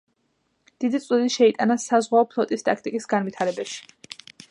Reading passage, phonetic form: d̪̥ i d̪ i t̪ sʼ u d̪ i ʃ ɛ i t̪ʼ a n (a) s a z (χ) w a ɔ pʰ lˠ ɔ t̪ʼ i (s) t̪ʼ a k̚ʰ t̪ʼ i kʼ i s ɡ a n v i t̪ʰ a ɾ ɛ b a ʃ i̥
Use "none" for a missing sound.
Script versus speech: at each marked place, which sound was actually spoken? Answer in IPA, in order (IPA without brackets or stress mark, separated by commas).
a, ʁ, s